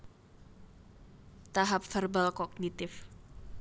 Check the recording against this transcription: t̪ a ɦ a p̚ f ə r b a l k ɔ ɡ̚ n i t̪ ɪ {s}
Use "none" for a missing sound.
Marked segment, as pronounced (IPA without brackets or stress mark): f